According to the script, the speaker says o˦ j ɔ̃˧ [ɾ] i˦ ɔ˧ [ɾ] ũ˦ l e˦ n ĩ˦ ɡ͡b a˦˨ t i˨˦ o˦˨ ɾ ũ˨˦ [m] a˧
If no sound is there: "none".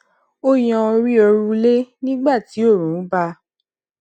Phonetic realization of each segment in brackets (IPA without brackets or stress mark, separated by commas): ɾ, ɾ, b